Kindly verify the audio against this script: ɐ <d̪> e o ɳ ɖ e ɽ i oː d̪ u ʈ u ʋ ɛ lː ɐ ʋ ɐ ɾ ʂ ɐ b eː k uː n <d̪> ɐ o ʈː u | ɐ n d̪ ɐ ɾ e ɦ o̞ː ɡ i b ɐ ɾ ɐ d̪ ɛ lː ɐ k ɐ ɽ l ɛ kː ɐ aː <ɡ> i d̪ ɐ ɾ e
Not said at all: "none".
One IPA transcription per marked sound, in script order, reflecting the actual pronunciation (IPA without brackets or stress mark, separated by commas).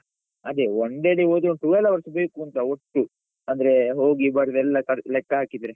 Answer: d̪, t̪, k